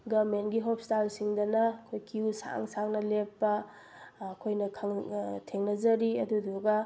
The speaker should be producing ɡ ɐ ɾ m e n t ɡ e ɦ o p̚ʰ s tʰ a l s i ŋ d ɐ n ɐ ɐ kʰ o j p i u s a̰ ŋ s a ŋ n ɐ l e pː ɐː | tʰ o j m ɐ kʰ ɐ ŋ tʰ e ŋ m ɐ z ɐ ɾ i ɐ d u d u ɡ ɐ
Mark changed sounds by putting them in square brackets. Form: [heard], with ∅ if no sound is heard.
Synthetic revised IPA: ɡ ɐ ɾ m e n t ɡ [i] ɦ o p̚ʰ s [t] a l s i ŋ d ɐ n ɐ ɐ kʰ o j [k] i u s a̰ ŋ s a ŋ n ɐ l e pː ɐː | [kʰ] o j [n] ɐ kʰ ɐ ŋ tʰ e ŋ [n] ɐ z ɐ ɾ i ɐ d u d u ɡ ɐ